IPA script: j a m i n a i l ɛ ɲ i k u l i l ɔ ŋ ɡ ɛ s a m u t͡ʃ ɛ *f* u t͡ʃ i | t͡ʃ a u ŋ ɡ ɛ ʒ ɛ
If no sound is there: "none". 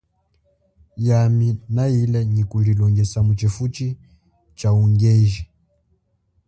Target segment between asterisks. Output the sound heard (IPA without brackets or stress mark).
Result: f